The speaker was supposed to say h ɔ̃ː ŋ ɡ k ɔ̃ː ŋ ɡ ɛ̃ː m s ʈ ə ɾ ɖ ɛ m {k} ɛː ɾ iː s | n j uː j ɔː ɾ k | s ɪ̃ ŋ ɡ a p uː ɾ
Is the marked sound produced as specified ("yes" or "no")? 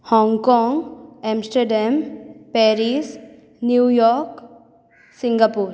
no